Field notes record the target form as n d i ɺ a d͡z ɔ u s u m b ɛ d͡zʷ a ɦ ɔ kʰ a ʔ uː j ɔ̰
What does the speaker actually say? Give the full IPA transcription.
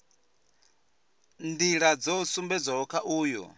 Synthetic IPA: n d i ɺ a d͡z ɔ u s u m b ɛ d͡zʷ a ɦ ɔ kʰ a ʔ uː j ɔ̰